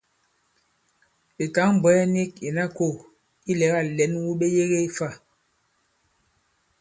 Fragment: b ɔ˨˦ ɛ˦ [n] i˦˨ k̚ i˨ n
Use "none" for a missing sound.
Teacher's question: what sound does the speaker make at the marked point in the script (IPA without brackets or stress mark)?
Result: n